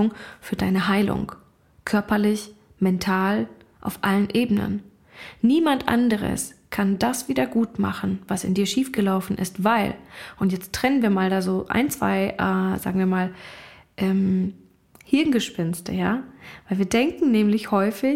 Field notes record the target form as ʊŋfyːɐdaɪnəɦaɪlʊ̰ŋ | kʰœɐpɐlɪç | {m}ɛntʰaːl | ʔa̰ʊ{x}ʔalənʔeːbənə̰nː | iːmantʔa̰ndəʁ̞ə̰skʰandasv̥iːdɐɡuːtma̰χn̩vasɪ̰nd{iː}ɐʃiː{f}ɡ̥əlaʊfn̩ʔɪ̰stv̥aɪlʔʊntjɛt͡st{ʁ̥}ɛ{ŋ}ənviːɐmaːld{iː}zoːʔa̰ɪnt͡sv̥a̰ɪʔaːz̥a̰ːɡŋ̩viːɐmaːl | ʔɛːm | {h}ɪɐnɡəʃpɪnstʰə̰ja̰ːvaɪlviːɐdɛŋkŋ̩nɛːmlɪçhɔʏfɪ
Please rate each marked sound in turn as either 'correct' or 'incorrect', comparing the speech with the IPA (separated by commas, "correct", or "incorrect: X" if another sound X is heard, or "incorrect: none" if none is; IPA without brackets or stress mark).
correct, incorrect: f, correct, correct, correct, incorrect: n, incorrect: aː, correct